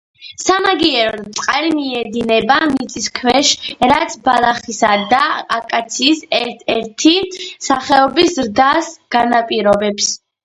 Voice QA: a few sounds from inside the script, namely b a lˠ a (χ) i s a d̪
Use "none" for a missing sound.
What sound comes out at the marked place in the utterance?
χ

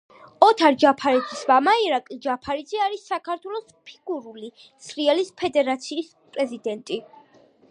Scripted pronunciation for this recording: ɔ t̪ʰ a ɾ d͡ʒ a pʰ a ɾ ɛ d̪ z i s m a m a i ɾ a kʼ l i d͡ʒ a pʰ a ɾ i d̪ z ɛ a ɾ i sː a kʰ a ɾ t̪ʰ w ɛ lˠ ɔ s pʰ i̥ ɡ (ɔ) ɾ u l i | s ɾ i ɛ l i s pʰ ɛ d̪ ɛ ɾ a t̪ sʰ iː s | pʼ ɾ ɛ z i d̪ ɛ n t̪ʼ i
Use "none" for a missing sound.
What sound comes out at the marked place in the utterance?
u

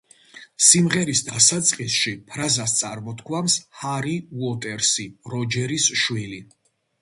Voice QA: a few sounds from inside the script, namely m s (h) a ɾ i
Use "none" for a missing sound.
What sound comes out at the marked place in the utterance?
h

